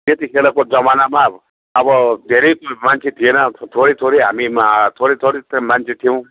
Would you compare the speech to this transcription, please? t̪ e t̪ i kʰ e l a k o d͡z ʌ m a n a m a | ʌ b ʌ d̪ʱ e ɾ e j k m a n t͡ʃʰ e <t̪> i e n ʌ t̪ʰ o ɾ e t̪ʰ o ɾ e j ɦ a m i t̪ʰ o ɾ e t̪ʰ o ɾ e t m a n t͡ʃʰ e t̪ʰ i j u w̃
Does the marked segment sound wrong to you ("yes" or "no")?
yes